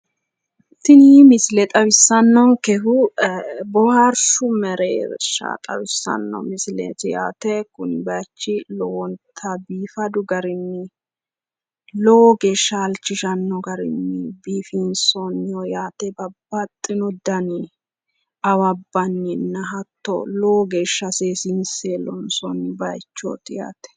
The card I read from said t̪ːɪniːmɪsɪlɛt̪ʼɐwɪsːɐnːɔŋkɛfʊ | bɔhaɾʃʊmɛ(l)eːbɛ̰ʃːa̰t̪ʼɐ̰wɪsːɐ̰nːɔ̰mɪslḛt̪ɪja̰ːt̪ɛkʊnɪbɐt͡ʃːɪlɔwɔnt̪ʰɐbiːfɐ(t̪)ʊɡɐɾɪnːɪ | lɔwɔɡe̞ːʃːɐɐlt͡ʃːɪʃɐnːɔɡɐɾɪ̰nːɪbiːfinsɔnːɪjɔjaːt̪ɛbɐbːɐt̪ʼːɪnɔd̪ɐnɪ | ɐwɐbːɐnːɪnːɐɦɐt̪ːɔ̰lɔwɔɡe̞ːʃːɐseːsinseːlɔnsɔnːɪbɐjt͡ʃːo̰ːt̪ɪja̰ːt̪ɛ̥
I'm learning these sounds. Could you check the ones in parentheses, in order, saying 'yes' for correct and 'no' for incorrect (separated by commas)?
no, no